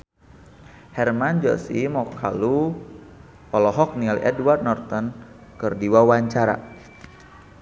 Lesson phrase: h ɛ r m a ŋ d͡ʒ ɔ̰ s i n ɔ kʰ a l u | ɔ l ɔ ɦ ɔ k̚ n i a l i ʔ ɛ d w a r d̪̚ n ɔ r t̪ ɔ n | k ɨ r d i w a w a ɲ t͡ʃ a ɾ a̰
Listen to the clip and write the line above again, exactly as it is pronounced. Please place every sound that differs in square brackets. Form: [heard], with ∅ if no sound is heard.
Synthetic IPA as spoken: h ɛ r m a [n] d͡ʒ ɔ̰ s i [m] ɔ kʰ a l u | ɔ l ɔ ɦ ɔ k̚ n i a l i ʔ ɛ d w a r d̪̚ n ɔ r t̪ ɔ n | k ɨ r d i w a w a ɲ t͡ʃ a ɾ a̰